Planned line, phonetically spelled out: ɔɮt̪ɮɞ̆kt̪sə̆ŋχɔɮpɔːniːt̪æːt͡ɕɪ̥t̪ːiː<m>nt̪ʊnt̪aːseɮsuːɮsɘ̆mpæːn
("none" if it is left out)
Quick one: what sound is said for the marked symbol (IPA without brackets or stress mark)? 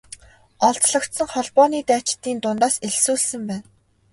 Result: none